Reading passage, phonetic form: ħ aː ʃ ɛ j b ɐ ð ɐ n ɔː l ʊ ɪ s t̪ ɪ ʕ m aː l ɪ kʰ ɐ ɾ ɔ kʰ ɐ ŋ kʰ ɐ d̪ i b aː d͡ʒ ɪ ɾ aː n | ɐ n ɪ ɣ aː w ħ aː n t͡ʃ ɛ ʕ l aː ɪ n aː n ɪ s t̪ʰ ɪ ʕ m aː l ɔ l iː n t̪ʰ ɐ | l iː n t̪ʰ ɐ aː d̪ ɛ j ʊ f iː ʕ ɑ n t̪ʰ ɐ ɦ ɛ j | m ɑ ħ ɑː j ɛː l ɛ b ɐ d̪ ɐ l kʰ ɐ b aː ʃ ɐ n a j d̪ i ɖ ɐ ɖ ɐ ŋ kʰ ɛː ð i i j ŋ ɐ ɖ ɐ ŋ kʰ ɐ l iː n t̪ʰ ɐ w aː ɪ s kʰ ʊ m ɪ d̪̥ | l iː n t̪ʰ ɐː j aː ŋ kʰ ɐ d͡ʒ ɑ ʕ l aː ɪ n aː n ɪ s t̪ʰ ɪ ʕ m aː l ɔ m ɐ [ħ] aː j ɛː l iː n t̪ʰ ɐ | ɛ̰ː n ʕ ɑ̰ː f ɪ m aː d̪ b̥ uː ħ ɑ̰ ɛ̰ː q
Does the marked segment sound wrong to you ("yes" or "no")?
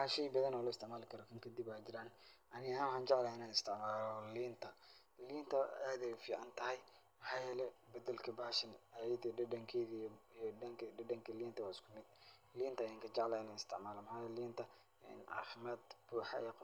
no